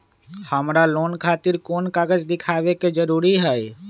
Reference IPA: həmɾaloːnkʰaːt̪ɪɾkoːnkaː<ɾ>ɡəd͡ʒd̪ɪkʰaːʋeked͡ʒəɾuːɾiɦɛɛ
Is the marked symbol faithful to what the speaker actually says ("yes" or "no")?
no